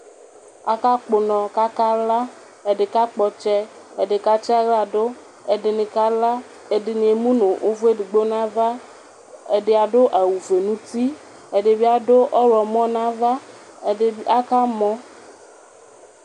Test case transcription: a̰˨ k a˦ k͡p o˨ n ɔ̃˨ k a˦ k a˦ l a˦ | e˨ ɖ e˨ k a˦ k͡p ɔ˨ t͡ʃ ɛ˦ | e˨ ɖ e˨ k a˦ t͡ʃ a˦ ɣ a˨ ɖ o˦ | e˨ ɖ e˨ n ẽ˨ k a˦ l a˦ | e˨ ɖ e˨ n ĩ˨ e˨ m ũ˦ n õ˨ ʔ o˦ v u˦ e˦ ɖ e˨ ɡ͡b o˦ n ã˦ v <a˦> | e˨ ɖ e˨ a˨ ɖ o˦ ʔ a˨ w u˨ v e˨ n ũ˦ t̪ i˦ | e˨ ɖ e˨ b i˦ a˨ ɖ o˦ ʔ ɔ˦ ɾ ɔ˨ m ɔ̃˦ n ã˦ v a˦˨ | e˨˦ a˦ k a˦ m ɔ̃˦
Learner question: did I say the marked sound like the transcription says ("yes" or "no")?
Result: yes